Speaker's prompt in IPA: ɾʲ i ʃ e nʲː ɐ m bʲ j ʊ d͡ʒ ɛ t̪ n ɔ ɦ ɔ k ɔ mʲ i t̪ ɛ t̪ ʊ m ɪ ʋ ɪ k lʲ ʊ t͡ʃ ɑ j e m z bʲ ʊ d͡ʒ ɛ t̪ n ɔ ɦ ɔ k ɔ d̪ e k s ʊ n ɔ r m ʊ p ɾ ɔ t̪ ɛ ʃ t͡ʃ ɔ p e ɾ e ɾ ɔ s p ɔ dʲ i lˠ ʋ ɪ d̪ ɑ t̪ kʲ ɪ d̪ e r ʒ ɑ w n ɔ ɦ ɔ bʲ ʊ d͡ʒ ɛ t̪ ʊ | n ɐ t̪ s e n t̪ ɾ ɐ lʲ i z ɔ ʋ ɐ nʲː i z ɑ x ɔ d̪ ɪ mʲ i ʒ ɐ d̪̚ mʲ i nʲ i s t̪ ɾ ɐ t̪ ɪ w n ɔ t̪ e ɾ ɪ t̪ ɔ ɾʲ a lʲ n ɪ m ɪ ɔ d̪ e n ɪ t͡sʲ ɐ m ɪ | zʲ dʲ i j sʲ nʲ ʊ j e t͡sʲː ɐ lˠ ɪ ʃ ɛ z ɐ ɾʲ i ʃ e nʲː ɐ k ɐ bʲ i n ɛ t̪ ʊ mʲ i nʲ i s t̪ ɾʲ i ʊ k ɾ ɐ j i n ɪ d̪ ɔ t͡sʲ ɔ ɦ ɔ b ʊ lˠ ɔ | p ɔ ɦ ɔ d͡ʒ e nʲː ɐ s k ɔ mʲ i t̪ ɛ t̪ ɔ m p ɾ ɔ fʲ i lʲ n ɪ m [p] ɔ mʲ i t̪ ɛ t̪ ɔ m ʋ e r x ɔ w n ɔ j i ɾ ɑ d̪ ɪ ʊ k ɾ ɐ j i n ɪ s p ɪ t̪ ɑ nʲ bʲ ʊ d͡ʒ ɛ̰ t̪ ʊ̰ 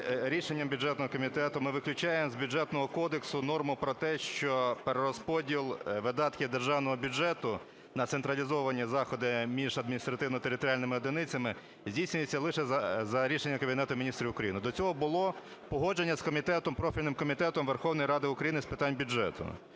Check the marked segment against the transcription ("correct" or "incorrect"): incorrect